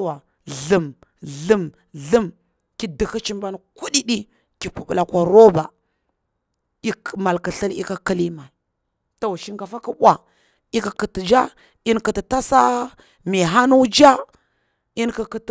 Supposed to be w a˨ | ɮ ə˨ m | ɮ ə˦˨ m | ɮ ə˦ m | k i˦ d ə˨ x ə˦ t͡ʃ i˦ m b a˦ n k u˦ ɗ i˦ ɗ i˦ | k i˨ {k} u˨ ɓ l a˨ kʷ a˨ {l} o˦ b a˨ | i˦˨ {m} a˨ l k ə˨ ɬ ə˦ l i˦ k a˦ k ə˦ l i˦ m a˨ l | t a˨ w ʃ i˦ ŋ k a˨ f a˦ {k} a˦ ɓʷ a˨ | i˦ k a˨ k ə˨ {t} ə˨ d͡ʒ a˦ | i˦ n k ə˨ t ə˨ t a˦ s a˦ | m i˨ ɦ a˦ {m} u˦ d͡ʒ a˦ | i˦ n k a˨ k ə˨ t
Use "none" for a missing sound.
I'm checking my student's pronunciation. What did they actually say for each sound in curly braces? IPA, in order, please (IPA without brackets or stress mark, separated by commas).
p, ɾ, m, k, t, n